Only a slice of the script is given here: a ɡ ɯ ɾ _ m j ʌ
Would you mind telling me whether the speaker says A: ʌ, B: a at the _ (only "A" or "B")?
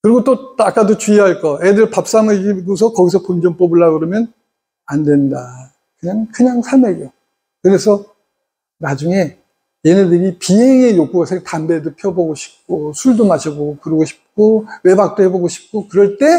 A